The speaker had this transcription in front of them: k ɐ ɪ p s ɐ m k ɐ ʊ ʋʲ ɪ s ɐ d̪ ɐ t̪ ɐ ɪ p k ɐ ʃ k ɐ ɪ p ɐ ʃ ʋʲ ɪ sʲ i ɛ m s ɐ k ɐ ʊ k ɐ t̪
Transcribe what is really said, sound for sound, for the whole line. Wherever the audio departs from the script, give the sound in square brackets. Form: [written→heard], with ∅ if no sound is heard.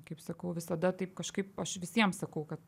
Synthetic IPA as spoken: k ɐ ɪ p s ɐ [m→∅] k ɐ ʊ ʋʲ ɪ s ɐ d̪ ɐ t̪ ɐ ɪ p k ɐ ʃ k ɐ ɪ p ɐ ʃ ʋʲ ɪ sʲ i ɛ m s ɐ k ɐ ʊ k ɐ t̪

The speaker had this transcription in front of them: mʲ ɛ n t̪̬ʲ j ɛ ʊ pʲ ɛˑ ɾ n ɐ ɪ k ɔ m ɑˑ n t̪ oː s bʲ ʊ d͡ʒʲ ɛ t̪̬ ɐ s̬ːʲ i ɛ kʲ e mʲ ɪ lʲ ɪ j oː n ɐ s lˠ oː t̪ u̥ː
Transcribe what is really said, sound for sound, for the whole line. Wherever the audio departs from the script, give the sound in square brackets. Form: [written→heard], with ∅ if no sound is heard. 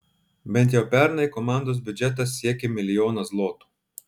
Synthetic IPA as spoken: [mʲ→bʲ] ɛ n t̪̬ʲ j ɛ ʊ pʲ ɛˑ ɾ n ɐ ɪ k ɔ m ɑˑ n [t̪→d̪] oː s bʲ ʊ d͡ʒʲ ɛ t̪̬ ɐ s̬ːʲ i ɛ kʲ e mʲ ɪ lʲ ɪ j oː n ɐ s lˠ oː t̪ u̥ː

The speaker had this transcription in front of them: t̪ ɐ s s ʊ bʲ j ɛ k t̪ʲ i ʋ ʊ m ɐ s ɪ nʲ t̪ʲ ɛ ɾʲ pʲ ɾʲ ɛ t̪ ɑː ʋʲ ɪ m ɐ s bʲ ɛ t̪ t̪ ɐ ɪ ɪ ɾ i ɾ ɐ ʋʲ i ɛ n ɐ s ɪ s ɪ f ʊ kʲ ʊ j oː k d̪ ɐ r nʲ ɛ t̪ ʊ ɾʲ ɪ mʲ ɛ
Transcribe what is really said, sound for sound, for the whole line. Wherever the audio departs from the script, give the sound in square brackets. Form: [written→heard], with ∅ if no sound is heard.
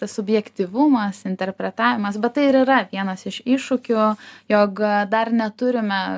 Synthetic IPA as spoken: t̪ ɐ s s ʊ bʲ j ɛ k t̪ʲ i ʋ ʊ m ɐ s ɪ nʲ t̪ʲ ɛ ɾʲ pʲ ɾʲ ɛ t̪ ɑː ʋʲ ɪ m ɐ s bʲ ɛ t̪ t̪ ɐ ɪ ɪ ɾ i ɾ ɐ ʋʲ i ɛ n ɐ s ɪ [s→ʃ] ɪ [f→ʃ] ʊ kʲ ʊ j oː k d̪ ɐ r nʲ ɛ t̪ ʊ ɾʲ ɪ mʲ ɛ

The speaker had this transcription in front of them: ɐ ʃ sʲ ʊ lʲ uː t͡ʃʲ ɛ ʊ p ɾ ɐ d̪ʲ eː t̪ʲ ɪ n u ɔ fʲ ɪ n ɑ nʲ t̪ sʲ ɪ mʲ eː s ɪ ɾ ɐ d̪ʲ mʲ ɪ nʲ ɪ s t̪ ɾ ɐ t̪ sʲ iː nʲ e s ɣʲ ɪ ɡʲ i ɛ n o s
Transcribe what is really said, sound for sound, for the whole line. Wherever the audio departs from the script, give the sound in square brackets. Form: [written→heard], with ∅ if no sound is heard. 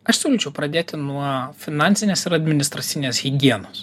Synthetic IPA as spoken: ɐ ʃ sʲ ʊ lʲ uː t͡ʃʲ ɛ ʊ p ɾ ɐ d̪ʲ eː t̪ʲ ɪ n u ɔ fʲ ɪ n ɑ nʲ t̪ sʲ ɪ [mʲ→nʲ] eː s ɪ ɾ ɐ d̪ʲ mʲ ɪ nʲ ɪ s t̪ ɾ ɐ t̪ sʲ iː nʲ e s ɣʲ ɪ ɡʲ i ɛ n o s

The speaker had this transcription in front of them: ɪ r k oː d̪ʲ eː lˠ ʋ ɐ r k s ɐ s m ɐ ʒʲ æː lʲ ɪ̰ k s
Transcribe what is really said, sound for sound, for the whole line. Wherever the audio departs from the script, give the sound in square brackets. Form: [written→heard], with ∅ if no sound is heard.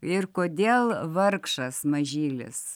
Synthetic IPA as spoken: ɪ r k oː d̪ʲ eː lˠ ʋ ɐ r k [s→ʃ] ɐ s m ɐ ʒʲ [æː→iː] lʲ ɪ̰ [k→∅] s

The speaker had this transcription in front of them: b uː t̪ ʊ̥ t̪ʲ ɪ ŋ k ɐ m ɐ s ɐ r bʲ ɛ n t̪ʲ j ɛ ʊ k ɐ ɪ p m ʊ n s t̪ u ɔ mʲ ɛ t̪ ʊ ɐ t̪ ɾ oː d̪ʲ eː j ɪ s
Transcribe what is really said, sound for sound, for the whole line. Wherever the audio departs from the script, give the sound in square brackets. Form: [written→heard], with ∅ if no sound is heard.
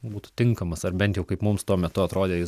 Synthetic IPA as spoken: b uː t̪ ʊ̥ t̪ʲ ɪ ŋ k ɐ m ɐ s ɐ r bʲ ɛ n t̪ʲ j ɛ ʊ k ɐ ɪ p m ʊ [n→m] s t̪ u ɔ mʲ ɛ t̪ ʊ ɐ t̪ ɾ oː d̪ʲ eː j ɪ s

